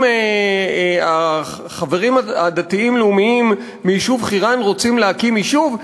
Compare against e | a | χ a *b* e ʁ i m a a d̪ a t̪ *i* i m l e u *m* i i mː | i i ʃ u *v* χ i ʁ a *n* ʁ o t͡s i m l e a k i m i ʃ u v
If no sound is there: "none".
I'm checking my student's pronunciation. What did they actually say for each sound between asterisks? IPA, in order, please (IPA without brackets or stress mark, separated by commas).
v, i, m, v, n